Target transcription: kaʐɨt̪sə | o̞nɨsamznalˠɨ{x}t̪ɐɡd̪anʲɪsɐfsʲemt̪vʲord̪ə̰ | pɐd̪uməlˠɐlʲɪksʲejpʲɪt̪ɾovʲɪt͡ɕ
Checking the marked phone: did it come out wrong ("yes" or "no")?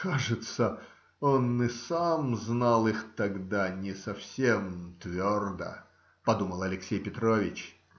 no